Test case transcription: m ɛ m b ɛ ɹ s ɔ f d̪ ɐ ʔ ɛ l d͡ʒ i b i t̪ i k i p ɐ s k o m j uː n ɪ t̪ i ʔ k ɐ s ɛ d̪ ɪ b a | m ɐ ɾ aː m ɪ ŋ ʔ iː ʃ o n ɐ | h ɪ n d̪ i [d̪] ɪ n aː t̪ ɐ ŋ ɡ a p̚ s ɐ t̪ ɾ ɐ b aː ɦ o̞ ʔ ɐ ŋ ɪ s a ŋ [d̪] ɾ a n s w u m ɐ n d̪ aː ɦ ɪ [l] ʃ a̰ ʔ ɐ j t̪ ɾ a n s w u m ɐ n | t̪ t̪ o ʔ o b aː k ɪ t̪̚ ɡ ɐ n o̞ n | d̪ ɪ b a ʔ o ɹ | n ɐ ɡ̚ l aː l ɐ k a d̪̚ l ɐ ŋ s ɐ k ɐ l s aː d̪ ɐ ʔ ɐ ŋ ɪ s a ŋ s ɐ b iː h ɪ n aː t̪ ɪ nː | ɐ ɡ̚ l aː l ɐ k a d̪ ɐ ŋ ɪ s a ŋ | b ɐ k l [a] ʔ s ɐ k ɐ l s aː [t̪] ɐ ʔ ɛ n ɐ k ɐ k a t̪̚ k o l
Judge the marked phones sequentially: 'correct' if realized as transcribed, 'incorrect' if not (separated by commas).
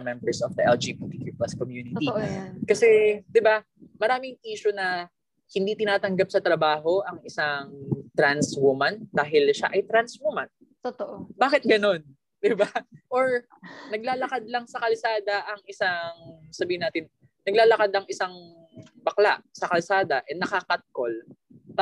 incorrect, incorrect, correct, correct, incorrect